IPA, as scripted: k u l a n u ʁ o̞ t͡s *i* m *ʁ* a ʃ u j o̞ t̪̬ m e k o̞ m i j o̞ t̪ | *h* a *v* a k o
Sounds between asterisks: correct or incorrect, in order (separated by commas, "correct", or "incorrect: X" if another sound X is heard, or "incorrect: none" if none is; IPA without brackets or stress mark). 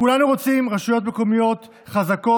correct, correct, incorrect: χ, incorrect: z